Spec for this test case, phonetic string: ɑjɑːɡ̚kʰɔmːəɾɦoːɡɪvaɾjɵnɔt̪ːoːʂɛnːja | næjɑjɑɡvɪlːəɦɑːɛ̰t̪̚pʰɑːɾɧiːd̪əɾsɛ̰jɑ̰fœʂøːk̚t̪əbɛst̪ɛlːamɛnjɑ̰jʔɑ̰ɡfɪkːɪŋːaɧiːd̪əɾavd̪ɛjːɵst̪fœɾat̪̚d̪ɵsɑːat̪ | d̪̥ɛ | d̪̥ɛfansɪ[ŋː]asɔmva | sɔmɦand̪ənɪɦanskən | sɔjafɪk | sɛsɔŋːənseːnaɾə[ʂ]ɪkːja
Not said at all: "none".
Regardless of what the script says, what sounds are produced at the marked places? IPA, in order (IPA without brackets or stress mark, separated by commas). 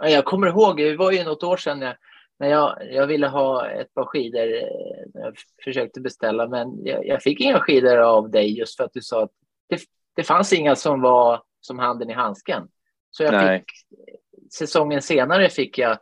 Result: ŋː, f